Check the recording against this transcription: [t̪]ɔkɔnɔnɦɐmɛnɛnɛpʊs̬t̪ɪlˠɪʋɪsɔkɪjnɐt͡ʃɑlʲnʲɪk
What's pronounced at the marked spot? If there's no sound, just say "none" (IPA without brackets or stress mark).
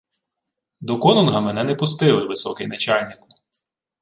d̪